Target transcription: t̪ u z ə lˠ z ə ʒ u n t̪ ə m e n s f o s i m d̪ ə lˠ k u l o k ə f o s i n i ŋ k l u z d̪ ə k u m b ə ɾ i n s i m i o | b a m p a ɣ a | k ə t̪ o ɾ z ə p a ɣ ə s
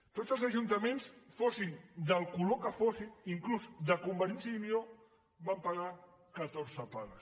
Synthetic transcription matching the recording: t̪ o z ə lˠ z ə ʒ u n t̪ ə m e n s f o s i n d̪ ə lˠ k u l o k ə f o s i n i ŋ k l u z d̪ ə k u m b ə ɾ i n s i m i o | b a m p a ɣ a | k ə t̪ o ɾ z ə p a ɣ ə s